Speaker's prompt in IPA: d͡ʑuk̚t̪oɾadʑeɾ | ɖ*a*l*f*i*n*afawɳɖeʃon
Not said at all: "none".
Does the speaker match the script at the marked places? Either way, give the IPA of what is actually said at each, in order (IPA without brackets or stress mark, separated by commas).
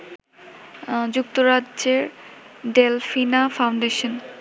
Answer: e, f, n